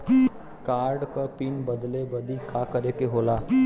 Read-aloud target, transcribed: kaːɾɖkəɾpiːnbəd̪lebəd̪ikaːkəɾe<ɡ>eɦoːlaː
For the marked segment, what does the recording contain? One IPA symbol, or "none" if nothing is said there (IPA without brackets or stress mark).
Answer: k